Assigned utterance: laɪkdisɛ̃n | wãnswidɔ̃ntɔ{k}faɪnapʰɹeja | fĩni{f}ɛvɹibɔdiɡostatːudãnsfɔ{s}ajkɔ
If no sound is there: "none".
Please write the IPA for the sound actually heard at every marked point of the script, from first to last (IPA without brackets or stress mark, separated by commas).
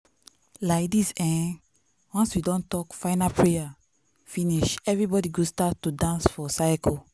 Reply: k, ʃ, s